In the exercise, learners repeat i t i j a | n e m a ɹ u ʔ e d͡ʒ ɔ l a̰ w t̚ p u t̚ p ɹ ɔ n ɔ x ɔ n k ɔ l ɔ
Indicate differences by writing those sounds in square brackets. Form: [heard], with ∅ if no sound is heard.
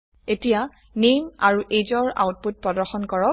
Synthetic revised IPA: [e] t i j a | n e m a ɹ u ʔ e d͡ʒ ɔ [ɹ] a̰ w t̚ p u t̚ p ɹ ɔ [d] ɔ x ɔ n k ɔ [ɹ] ɔ